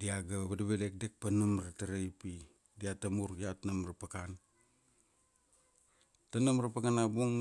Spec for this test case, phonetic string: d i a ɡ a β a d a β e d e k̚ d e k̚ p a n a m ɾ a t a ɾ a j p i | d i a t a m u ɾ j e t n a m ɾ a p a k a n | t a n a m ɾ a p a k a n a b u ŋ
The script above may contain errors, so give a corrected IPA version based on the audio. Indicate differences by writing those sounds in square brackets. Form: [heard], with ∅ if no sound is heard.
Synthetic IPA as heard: d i a ɡ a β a d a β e d e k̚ d e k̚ p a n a m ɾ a t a ɾ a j p i | d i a t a m u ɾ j [a] t n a m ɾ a p a k a n | t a n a m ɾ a p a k a n a b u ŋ

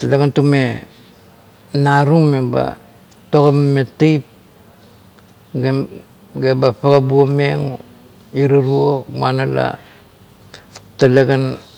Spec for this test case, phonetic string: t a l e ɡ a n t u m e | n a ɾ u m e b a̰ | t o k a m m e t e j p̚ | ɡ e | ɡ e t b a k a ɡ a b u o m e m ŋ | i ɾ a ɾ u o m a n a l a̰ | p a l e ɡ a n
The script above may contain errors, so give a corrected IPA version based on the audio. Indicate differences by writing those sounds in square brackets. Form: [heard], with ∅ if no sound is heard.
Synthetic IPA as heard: t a l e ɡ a n t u m e | n a ɾ u m e b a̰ | t o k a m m e t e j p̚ | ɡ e | ɡ e [∅] b a [p] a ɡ a b u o m e [∅] ŋ | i ɾ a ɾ u o m a n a l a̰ | [t] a l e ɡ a n

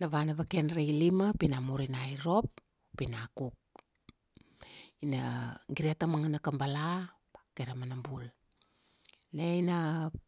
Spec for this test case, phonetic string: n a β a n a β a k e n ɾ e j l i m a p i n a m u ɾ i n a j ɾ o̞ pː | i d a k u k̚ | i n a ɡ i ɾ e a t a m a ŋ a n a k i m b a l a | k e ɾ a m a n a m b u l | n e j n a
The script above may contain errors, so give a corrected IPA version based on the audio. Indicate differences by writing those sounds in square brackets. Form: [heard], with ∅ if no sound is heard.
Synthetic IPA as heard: n a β a n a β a k e n ɾ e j l i m a p i n a m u ɾ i n a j ɾ o̞ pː | i [n] a k u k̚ | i n a ɡ i ɾ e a t a m a ŋ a n a k [a] m b a l a | k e ɾ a m a n a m b u l | n e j n a

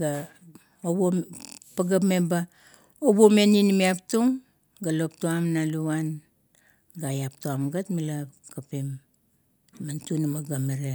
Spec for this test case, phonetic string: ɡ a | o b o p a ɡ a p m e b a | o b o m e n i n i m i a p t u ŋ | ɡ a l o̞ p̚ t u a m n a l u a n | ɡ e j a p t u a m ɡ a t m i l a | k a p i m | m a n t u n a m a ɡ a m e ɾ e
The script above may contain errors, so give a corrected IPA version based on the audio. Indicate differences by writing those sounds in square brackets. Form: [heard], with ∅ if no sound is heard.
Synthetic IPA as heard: ɡ a | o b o p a ɡ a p m e b a | o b o m e n i n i m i a p t u ŋ | ɡ a l o̞ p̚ t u a m n a l u a n | ɡ [a] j a p t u a m ɡ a t m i l a | k a p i m | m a n t u n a m a ɡ a m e ɾ e

